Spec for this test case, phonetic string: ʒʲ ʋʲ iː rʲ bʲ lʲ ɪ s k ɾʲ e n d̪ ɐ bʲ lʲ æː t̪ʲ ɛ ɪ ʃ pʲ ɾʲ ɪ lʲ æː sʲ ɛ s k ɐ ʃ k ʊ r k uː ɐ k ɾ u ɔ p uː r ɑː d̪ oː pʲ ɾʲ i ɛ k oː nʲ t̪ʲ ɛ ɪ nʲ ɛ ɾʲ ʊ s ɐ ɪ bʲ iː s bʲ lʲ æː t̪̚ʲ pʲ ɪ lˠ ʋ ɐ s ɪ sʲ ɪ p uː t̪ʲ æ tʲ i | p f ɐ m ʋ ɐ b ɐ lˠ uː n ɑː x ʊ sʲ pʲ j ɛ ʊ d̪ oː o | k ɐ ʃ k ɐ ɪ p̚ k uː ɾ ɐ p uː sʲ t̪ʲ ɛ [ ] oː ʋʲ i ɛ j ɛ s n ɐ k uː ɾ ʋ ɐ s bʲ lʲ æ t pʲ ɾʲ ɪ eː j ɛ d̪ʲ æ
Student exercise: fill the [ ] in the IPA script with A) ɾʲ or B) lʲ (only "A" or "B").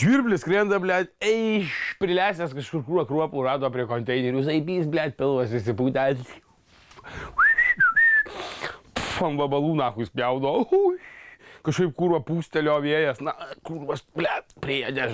B